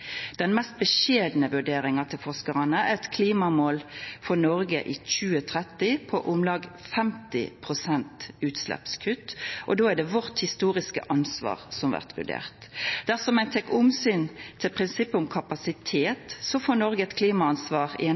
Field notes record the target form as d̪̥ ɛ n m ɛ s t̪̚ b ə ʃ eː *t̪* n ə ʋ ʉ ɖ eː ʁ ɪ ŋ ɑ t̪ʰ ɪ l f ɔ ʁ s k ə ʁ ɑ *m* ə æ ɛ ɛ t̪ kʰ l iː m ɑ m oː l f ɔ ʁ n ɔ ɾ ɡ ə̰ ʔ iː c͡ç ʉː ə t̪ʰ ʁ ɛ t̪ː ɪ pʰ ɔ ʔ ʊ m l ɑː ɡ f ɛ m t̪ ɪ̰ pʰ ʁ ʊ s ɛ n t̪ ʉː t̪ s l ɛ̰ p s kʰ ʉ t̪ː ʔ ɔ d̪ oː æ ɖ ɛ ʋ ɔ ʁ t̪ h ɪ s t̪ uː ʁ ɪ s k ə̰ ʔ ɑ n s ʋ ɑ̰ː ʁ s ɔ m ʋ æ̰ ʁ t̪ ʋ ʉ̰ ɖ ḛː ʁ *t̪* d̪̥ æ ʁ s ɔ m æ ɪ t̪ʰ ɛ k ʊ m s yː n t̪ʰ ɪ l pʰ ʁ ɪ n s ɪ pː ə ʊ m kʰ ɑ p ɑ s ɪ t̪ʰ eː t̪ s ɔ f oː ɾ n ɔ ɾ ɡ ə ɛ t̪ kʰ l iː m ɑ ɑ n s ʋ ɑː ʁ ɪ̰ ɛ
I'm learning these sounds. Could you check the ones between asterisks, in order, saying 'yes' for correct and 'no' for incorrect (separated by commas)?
no, no, yes